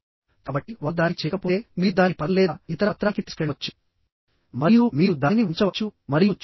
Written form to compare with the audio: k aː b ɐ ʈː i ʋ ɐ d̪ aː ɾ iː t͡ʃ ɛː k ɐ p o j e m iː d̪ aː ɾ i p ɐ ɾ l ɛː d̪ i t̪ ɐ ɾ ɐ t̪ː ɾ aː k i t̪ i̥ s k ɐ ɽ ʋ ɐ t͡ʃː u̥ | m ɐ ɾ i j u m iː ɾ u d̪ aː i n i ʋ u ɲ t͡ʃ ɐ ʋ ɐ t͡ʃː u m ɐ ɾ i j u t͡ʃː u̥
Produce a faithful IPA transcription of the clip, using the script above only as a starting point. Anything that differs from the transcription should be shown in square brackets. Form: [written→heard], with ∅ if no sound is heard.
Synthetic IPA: k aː b ɐ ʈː i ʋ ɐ d̪ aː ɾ [iː→i] t͡ʃ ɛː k ɐ p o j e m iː d̪ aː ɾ i p ɐ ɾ l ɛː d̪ i t̪ ɐ ɾ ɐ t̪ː ɾ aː k i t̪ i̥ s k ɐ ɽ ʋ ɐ t͡ʃː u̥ | m ɐ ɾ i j u m iː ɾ u d̪ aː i n i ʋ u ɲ t͡ʃ ɐ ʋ ɐ t͡ʃː u m ɐ ɾ i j u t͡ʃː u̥